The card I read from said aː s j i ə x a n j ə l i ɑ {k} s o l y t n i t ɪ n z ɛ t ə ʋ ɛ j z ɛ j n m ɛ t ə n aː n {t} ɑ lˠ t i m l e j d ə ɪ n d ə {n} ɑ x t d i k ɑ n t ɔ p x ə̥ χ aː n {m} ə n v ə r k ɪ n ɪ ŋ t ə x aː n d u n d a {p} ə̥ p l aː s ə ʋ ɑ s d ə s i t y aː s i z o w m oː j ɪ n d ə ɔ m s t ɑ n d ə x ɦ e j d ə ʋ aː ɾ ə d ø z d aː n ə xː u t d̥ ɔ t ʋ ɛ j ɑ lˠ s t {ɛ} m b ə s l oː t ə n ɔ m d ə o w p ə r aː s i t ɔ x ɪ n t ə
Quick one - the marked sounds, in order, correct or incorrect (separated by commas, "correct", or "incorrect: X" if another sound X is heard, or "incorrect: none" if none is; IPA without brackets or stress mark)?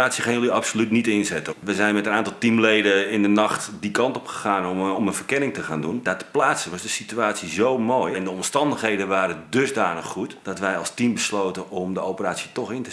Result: incorrect: p, correct, correct, correct, incorrect: t, incorrect: i